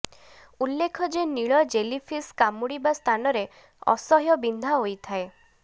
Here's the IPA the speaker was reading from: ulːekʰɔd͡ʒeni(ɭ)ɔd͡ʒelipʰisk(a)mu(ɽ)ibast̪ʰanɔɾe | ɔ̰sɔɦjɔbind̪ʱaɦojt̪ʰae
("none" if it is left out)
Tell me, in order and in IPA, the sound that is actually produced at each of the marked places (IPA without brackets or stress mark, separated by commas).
ɭ, a, ɽ